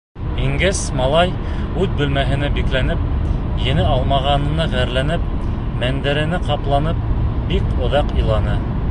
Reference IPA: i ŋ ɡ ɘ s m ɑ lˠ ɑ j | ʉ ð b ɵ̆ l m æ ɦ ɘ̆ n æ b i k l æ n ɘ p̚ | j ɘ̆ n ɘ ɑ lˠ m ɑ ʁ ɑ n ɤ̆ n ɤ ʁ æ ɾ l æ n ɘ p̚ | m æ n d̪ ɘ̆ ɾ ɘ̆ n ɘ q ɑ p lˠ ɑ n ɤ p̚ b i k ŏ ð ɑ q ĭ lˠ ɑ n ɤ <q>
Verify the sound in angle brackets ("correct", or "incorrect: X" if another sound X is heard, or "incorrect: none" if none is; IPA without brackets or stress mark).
incorrect: none